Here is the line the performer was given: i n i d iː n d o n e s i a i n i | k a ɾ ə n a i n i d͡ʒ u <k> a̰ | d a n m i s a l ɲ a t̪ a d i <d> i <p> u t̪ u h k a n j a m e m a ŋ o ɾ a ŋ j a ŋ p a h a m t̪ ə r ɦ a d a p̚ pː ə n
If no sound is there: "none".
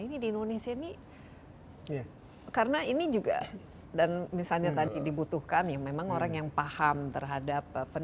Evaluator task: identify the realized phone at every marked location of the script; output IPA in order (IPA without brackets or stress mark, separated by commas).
ɡ, d, b